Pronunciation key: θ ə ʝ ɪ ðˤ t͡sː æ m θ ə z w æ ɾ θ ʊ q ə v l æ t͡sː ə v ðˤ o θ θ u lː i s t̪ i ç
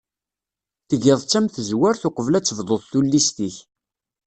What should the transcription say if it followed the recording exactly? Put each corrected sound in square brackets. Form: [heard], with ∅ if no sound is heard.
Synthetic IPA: θ ə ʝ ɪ ðˤ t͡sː æ m θ ə z w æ ɾ θ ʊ q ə v l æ t͡sː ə v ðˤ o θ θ u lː i s t̪ i ç